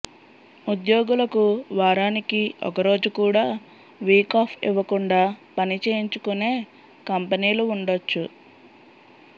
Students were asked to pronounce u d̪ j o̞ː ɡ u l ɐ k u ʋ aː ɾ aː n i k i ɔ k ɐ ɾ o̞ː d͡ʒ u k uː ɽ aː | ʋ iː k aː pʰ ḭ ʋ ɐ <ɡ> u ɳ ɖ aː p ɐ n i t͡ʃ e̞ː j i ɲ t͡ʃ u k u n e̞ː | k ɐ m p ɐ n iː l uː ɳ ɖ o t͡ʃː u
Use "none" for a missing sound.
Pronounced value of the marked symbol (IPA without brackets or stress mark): k